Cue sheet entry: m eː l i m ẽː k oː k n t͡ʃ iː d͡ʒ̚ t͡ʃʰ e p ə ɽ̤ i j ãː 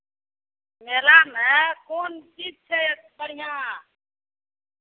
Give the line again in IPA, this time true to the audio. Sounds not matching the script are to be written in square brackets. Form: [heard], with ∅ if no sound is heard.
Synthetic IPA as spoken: m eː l [a] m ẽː k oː [∅] n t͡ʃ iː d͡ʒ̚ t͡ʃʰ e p ə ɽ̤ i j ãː